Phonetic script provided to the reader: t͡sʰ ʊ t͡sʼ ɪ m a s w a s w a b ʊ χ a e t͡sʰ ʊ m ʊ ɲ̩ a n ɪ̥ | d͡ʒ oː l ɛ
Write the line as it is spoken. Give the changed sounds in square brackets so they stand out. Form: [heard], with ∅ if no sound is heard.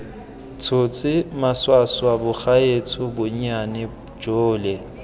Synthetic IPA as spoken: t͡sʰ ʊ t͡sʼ ɪ m a s w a s w a b ʊ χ a e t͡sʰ ʊ [b] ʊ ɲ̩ a n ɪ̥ | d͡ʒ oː l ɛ